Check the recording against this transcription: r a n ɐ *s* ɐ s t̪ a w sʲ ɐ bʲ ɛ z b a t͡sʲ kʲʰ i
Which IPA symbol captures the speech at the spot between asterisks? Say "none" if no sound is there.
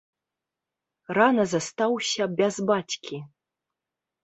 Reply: z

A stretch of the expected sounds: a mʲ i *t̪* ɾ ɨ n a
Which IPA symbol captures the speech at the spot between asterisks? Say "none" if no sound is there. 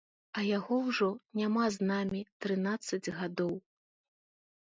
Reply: t̪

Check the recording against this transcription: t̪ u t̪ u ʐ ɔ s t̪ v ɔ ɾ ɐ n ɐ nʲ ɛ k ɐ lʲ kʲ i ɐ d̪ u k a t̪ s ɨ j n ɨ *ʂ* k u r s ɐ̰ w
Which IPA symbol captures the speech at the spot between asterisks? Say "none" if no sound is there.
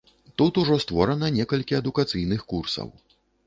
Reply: x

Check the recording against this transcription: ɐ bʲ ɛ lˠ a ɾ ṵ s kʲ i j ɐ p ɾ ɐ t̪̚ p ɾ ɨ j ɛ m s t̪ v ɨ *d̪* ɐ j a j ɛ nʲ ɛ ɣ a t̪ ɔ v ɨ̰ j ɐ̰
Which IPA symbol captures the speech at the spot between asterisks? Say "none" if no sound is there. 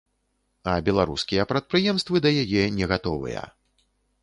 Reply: d̪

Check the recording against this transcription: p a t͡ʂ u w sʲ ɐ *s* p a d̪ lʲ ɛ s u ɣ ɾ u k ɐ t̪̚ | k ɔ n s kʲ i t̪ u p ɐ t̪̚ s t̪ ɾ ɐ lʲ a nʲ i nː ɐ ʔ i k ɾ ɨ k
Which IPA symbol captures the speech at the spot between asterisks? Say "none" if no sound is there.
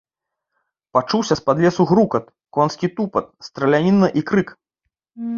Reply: s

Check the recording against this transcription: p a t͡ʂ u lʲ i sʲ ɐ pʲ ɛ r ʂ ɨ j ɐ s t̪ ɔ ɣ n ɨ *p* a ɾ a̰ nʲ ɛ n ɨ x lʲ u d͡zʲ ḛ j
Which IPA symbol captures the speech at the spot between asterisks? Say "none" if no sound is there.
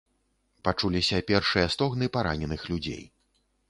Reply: p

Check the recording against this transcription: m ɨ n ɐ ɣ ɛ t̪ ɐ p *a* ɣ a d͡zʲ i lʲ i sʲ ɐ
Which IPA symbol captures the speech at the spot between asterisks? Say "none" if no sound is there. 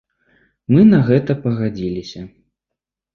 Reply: ɐ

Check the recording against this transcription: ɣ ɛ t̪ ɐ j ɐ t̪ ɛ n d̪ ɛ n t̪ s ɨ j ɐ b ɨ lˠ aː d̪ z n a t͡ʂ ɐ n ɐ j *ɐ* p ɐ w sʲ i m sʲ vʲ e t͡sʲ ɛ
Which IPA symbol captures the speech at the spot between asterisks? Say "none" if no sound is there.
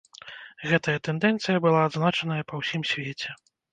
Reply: ɐ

